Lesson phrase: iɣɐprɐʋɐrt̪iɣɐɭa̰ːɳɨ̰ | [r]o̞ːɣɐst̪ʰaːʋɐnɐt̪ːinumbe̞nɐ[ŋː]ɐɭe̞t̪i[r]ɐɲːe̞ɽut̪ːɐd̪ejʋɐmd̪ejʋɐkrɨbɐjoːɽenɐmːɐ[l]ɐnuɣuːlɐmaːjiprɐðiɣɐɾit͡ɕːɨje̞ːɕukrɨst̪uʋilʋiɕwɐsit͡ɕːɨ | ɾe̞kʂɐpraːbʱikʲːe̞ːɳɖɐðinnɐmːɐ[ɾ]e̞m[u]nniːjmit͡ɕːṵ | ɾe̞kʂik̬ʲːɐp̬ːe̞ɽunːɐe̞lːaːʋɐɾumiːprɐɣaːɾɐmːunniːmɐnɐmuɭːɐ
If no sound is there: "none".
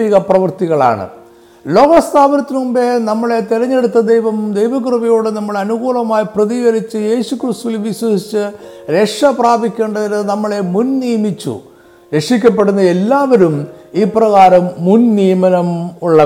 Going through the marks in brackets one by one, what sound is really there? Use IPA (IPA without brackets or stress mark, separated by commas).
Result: l, mː, ɾ, ɭ, ɭ, u